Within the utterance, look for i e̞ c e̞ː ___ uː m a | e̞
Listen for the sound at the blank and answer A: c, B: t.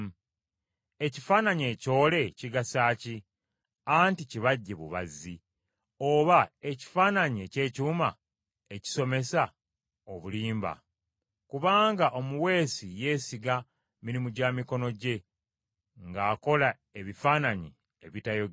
A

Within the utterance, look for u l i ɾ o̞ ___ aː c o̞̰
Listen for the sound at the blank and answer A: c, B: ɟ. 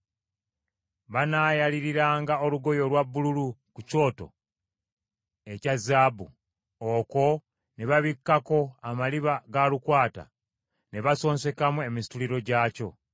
B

